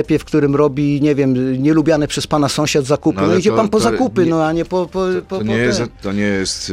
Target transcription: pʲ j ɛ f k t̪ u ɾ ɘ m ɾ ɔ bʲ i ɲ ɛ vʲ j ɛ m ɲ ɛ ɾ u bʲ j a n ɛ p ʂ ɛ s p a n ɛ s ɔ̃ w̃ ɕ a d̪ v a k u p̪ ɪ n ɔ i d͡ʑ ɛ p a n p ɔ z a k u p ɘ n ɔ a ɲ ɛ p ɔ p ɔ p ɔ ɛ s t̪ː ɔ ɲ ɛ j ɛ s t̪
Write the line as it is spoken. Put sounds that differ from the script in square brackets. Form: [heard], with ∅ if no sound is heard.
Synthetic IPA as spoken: pʲ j ɛ f k t̪ u ɾ ɘ m ɾ ɔ bʲ i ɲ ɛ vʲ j ɛ m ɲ ɛ [l] u bʲ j a n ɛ p ʂ ɛ s p a n [a] s ɔ̃ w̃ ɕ a d̪ [z] a k u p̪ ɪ n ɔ i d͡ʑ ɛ p a n p ɔ z a k u p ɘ n ɔ a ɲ ɛ p ɔ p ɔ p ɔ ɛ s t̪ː ɔ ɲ ɛ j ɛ s t̪